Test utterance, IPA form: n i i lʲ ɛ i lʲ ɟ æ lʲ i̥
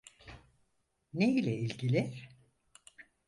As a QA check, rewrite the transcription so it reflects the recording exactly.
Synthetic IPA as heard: n e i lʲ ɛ i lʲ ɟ i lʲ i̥